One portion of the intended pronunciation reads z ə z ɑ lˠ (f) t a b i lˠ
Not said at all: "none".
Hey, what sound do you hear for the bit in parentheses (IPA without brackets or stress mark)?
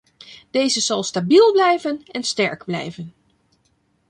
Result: s